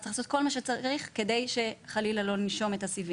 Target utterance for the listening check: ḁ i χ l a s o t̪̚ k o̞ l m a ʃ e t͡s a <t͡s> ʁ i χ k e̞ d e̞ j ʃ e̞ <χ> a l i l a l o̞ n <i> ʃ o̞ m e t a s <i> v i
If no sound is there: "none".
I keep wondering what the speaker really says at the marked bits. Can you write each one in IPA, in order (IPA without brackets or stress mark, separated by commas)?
none, χ, i, i